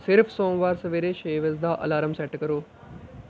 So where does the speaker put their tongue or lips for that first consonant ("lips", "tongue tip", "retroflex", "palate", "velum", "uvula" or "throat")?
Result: tongue tip